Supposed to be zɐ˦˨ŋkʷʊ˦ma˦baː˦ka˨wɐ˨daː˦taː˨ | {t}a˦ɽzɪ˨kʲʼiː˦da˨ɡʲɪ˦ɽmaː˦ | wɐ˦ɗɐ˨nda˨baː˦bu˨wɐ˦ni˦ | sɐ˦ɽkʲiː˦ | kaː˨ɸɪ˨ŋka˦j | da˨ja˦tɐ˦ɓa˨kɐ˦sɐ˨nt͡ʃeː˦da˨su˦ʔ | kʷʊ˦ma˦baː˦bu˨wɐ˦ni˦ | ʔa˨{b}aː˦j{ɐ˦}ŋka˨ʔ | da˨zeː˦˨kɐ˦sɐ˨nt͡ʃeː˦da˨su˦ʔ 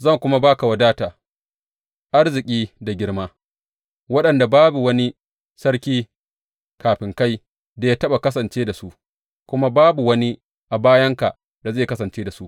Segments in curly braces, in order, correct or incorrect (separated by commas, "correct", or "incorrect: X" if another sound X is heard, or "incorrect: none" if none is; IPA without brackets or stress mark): incorrect: ʔ, correct, correct